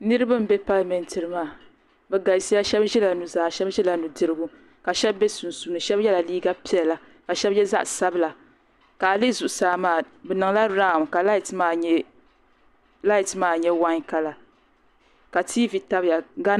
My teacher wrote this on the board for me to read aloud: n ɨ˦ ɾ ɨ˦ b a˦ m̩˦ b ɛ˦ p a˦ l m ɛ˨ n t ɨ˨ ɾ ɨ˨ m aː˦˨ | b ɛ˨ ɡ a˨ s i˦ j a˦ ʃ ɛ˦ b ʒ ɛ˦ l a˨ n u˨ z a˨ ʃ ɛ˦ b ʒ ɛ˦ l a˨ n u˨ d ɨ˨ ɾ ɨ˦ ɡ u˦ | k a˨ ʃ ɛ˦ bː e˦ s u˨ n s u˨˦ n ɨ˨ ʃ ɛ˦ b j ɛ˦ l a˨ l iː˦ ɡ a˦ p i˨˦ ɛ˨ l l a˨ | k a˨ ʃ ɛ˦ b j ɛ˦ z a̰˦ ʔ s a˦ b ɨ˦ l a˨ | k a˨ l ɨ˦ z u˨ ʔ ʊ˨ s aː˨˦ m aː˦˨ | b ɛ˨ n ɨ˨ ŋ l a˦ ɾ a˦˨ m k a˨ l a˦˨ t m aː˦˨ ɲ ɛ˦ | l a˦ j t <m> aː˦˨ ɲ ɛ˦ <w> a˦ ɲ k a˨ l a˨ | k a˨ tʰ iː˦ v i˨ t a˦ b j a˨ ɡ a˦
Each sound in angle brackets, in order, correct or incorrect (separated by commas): correct, correct